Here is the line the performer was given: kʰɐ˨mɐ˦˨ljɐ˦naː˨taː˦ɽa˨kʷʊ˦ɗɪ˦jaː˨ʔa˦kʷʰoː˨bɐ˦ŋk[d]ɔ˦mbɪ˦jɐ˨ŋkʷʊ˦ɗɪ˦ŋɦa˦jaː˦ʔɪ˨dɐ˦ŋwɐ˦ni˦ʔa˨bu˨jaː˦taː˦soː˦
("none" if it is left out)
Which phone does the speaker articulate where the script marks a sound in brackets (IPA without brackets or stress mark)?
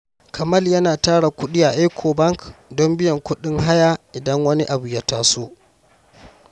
d